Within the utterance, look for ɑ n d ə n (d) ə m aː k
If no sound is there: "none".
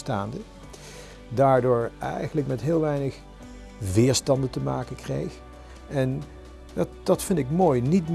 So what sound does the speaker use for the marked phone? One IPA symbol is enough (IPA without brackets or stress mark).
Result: t